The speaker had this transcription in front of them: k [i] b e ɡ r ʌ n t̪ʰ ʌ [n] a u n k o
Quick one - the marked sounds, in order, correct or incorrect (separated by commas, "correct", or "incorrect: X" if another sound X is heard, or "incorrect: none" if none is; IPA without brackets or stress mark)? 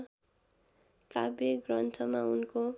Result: incorrect: a, incorrect: m